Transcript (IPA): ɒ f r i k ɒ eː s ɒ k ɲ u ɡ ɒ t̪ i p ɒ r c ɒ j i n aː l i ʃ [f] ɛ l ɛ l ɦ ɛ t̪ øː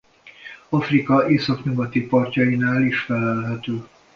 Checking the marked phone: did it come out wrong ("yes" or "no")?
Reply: no